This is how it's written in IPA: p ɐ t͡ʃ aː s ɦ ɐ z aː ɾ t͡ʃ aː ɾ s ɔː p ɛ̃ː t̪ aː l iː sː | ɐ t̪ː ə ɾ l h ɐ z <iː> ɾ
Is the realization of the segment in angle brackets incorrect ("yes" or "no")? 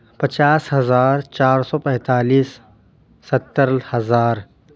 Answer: yes